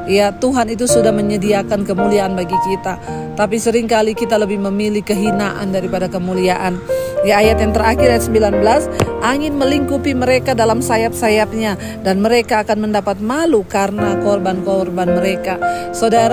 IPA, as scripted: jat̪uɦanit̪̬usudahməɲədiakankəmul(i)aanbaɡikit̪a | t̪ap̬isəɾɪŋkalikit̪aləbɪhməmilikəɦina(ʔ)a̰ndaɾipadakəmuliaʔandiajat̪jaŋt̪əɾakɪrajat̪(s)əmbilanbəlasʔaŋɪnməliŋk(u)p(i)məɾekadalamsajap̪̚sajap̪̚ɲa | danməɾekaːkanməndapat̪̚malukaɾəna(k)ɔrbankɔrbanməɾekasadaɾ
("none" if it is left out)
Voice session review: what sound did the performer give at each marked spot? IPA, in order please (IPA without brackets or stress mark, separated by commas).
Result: i, ʔ, s, u, i, k